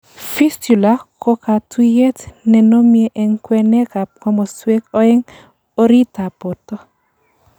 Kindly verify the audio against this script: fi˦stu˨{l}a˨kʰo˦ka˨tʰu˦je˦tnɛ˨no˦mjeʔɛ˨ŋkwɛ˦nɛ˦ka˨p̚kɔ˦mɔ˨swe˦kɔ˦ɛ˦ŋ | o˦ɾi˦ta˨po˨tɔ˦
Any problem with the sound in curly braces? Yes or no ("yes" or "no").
no